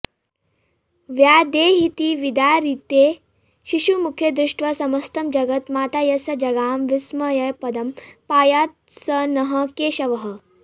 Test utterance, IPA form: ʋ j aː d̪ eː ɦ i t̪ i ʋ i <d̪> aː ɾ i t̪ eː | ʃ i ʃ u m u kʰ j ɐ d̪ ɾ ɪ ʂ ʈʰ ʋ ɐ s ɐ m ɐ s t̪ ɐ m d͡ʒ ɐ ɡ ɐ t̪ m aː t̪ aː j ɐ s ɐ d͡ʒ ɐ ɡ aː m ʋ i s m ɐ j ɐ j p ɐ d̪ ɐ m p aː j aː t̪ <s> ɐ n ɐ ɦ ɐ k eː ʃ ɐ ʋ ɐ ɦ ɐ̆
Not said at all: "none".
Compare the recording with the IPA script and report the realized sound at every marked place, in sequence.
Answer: d̪, s

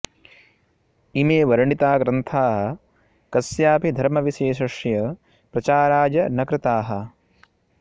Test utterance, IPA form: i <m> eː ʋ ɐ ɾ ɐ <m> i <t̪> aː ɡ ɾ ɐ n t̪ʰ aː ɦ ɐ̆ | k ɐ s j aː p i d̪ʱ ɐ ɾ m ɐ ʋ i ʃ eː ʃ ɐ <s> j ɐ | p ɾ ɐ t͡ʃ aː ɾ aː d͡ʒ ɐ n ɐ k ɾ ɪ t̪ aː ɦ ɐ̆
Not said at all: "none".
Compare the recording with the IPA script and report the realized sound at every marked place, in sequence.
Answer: m, ɳ, t̪, ʂ

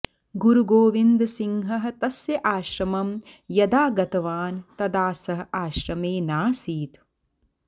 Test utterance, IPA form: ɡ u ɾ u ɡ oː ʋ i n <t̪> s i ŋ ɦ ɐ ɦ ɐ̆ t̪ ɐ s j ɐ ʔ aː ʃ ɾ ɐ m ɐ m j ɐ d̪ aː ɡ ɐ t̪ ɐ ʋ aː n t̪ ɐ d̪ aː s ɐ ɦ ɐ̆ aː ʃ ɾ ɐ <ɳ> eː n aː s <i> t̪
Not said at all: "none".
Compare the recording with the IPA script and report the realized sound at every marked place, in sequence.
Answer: d̪, m, iː

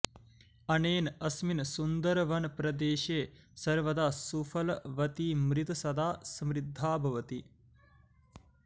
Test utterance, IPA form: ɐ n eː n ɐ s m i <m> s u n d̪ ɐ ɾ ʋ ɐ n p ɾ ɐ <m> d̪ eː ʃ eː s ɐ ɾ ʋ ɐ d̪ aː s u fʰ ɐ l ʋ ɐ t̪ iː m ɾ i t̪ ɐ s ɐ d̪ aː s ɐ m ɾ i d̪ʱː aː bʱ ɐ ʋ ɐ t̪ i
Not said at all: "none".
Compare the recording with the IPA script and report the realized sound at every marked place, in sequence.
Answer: n, none

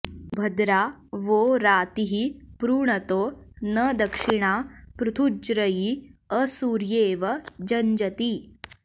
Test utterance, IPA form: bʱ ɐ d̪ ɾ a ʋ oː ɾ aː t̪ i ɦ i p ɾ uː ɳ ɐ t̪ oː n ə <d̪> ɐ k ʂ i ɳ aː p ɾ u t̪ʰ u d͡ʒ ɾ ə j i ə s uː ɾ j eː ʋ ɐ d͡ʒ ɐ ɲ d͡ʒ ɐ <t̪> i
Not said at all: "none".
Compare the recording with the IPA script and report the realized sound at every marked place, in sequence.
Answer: d̪, t̪

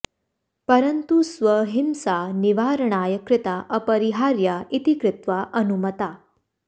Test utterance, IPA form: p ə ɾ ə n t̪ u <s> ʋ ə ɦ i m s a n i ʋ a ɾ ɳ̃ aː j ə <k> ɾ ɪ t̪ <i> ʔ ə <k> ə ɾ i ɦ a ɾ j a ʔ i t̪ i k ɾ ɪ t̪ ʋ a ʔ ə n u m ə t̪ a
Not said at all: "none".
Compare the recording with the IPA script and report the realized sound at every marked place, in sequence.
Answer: s, k, a, p

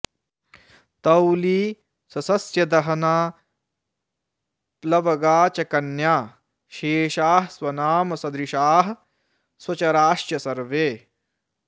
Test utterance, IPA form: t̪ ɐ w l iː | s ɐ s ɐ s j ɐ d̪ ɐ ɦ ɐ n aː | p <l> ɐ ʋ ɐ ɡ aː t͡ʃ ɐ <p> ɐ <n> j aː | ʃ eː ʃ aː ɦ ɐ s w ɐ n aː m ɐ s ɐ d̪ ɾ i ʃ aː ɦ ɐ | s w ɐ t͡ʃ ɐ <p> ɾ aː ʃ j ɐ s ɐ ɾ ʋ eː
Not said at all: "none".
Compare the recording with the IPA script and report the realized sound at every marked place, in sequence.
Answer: l, k, n, none

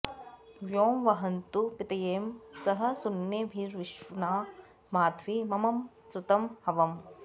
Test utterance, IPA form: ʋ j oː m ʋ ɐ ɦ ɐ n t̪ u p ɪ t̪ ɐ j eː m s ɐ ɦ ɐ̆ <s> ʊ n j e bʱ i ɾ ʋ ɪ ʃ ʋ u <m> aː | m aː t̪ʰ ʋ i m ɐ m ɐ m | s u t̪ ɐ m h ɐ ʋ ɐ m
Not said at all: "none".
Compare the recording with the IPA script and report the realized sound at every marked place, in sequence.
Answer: s, n

